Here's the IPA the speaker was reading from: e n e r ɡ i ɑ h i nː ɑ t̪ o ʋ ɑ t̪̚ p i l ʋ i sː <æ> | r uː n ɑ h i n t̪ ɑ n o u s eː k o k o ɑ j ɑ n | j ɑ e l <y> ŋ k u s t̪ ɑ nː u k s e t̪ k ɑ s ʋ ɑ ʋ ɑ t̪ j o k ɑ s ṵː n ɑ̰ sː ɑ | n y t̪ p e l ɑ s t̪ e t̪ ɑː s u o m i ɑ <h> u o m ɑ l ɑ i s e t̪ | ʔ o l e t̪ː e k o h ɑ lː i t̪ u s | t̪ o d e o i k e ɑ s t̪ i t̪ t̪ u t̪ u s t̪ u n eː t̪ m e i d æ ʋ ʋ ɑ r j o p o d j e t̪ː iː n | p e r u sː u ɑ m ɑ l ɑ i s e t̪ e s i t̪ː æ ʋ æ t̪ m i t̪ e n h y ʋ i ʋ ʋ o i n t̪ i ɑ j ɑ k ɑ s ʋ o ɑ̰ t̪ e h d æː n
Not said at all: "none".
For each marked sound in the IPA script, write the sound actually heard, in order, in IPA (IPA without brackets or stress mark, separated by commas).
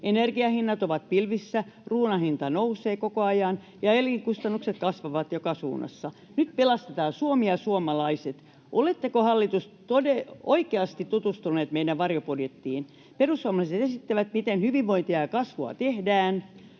æ, i, s